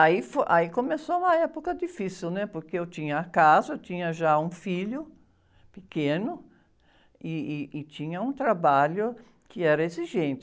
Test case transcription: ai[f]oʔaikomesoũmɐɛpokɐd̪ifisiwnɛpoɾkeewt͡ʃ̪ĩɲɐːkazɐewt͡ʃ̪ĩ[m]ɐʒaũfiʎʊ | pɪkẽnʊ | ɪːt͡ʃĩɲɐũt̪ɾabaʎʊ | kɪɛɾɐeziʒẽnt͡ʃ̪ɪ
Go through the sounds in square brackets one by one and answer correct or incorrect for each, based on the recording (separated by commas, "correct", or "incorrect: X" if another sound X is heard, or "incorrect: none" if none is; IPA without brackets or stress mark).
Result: correct, incorrect: ɲ